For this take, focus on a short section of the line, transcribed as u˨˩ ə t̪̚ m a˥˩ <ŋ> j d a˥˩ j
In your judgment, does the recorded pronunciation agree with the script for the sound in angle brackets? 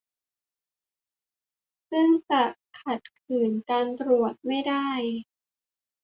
no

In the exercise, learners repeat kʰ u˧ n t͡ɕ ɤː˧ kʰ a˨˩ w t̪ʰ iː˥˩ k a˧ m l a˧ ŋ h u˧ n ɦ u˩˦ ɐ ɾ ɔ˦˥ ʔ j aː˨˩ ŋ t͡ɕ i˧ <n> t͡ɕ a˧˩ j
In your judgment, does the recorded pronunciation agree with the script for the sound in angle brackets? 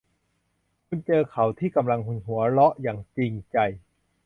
no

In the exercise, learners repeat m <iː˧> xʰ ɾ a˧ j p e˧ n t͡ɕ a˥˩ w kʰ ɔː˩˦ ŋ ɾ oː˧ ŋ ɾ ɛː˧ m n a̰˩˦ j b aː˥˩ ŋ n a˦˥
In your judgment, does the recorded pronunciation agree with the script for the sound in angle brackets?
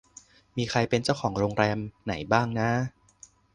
yes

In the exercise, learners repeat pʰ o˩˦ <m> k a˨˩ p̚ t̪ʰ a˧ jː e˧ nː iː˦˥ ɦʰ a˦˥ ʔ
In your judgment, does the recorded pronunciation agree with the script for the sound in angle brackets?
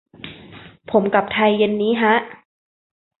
yes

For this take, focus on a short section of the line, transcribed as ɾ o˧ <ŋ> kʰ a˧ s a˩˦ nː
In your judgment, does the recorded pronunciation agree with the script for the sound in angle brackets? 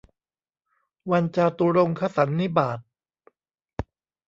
yes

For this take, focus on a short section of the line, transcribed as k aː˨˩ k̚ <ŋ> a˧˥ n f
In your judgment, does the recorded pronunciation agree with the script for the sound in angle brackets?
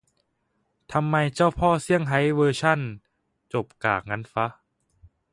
yes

